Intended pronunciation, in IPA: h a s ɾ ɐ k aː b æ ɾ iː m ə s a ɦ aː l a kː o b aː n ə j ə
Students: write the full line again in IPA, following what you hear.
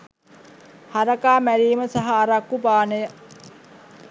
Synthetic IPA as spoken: h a ɾ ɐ k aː m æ ɾ iː m ə s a ɦ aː ɾ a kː u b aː n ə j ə